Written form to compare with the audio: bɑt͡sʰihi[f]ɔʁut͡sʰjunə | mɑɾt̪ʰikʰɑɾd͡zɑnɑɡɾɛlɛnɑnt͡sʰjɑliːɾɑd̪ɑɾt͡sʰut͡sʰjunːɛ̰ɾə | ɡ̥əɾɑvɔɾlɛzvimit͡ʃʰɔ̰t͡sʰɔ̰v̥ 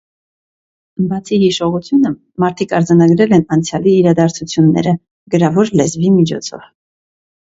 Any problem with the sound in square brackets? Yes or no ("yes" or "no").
yes